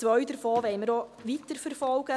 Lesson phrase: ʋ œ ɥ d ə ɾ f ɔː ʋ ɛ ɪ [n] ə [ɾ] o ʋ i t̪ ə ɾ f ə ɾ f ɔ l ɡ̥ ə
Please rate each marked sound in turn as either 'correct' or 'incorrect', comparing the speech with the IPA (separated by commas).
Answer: incorrect, correct